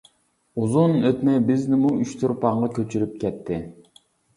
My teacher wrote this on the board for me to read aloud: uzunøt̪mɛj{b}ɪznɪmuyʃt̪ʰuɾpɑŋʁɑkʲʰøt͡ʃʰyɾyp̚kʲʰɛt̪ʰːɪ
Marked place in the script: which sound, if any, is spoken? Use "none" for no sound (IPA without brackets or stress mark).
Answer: b